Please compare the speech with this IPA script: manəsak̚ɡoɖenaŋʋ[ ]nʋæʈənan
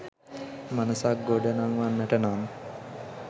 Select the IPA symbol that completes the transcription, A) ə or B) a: B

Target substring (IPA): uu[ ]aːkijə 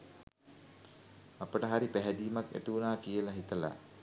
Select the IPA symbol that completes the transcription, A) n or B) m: A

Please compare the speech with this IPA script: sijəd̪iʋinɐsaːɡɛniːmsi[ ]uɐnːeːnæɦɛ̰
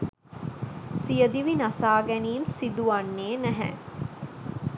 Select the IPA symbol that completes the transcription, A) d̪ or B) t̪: A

